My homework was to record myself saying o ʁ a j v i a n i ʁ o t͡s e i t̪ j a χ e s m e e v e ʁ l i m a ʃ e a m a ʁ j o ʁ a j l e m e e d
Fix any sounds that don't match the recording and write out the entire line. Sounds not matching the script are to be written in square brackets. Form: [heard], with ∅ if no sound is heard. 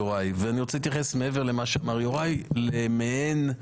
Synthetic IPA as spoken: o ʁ a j v [e] a n i ʁ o t͡s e i t̪ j a χ e s m e e v e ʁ l [e] m a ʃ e a m a ʁ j o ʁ a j l e m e e [n]

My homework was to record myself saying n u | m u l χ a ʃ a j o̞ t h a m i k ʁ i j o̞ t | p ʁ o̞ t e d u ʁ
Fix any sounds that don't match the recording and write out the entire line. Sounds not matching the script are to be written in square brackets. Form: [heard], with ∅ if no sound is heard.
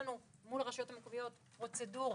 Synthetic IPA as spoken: n u | m u l [ʁ] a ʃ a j o̞ t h a m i k [v] i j o̞ t | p ʁ o̞ [t͡s] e d u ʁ

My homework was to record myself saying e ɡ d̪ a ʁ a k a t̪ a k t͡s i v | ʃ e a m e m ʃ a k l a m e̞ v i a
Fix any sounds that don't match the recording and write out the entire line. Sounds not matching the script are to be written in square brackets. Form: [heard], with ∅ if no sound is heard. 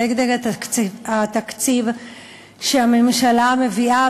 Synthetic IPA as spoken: e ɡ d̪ [e] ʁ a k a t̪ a k t͡s i v | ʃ e a m e m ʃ a [∅] l a m e̞ v i a

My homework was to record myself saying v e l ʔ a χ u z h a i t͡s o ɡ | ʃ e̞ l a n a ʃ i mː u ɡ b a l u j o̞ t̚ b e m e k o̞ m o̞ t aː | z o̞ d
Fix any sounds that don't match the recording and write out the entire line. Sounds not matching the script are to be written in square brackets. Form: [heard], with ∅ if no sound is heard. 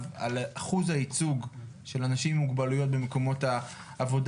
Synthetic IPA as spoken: v [a] l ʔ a χ u z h a i t͡s [u] ɡ | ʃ e̞ l a n a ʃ i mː u ɡ b a l u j o̞ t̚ b e m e k o̞ m o̞ t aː | [v] o̞ d

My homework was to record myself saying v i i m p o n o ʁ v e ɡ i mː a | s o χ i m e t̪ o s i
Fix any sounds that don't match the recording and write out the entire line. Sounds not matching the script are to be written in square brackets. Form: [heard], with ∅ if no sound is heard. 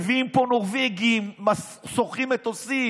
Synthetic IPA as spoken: v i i m p o n o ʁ v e ɡ i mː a | s o χ i m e t̪ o s i

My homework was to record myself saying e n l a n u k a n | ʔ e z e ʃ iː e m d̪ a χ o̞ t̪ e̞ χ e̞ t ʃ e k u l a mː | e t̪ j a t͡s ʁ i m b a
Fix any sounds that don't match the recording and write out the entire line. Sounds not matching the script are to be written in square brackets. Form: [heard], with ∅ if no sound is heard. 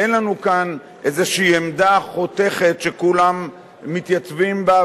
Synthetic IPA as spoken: e n l a n u k a n | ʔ e z e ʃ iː e m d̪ a χ o̞ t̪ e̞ χ e̞ t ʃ e k u l a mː | [i] t̪ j a t͡s [v] i m b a

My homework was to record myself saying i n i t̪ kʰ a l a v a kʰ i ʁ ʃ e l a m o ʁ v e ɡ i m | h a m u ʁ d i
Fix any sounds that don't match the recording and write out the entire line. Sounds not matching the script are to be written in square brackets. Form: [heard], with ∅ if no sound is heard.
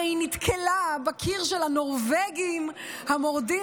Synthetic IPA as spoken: i n i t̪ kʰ [e] l a [b] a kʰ i ʁ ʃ e l a [n] o ʁ v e ɡ i m | h a m [o] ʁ d i

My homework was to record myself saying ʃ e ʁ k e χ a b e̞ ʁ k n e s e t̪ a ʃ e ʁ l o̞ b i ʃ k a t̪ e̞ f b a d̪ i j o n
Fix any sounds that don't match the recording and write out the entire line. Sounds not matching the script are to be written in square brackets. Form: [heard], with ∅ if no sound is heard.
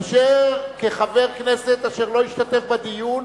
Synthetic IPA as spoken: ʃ e ʁ k e χ a [v] e̞ ʁ k n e s e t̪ a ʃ e ʁ l o̞ [∅] i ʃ [t] a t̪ e̞ f b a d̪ i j [u] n

